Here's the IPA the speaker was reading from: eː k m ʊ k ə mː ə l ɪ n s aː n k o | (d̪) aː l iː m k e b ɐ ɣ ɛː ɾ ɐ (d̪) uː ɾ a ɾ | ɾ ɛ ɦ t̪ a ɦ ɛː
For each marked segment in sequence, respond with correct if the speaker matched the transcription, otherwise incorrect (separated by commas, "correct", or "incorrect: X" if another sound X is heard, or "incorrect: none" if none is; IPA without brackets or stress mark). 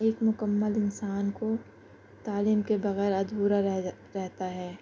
incorrect: t̪, correct